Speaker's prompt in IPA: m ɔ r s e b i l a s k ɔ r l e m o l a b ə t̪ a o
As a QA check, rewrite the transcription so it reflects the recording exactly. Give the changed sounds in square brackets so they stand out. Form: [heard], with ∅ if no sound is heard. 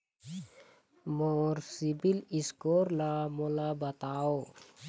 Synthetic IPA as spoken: m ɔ r s [i] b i l [i] s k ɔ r l [a] m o l a b [a] t̪ a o